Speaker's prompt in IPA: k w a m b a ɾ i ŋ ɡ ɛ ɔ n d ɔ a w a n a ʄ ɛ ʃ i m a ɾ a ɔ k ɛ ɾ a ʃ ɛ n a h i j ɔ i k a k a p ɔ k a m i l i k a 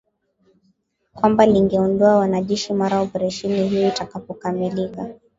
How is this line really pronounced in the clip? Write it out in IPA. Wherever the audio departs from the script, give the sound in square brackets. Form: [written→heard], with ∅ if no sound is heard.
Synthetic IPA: k w a m b a [ɾ→l] i ŋ ɡ ɛ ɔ n d ɔ a w a n a ʄ ɛ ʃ i m a ɾ a ɔ [k→p] ɛ ɾ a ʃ ɛ n [a→i] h i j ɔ i [k→t] a k a p ɔ k a m i l i k a